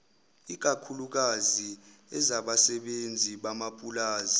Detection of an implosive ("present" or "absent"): present